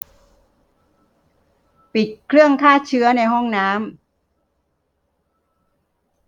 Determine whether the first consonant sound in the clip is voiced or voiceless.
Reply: voiceless